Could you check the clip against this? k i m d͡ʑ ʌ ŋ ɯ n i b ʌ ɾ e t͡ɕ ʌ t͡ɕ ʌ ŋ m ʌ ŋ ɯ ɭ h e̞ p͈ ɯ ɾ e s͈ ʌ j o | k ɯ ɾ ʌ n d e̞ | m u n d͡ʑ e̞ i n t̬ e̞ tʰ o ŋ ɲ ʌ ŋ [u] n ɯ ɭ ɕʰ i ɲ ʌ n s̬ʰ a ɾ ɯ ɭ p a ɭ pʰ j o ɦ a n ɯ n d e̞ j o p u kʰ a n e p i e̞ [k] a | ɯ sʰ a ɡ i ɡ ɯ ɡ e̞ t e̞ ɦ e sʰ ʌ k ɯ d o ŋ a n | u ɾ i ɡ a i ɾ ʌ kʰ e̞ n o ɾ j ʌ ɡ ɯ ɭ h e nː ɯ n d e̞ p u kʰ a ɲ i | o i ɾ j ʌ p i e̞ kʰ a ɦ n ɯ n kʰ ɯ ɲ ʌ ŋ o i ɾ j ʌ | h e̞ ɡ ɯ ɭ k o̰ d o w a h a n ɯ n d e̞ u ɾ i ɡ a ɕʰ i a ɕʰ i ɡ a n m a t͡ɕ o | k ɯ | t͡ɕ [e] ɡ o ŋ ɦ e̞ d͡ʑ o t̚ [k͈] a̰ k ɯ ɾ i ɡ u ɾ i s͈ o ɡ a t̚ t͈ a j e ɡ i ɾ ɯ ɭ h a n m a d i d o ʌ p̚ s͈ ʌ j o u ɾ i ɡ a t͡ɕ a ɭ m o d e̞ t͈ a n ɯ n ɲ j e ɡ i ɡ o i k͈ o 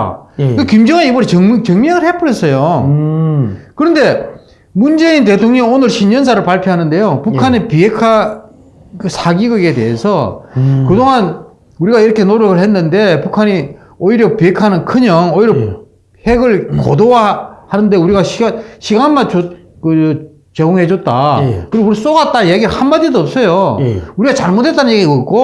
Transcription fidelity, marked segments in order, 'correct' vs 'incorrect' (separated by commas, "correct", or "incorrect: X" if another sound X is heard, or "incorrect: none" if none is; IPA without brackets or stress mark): incorrect: o, incorrect: kʰ, correct, incorrect: t͈